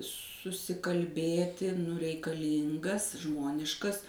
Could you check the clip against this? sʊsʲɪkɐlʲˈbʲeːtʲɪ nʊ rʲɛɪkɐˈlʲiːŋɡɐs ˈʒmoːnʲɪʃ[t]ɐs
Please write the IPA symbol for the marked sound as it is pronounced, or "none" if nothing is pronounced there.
k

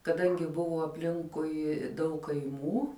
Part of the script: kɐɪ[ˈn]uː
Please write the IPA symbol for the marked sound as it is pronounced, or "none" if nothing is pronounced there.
m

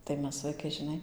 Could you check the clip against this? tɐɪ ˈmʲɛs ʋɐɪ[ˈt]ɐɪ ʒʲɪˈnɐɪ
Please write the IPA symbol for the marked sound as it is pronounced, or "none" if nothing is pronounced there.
k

